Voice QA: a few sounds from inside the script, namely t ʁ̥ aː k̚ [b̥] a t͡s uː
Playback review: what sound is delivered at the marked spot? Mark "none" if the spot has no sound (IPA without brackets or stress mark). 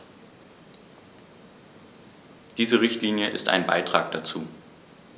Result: d̥